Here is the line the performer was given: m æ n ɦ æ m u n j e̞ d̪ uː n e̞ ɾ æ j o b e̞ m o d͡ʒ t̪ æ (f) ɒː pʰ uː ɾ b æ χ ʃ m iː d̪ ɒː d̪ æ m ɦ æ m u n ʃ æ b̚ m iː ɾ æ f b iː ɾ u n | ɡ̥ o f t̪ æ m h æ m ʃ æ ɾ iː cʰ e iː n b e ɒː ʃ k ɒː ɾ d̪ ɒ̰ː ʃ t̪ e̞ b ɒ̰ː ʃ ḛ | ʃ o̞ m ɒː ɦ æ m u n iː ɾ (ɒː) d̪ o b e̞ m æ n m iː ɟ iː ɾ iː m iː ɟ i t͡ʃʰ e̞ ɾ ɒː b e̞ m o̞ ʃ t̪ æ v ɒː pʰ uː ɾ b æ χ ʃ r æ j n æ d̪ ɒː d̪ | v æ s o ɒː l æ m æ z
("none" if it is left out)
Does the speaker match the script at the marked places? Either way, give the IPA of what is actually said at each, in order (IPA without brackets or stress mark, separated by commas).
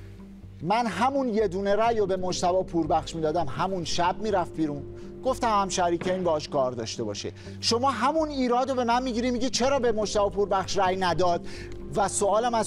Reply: v, ɒː